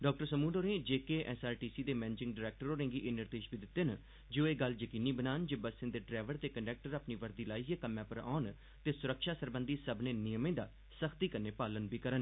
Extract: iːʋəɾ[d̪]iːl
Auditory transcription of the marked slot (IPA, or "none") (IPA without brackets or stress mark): d̪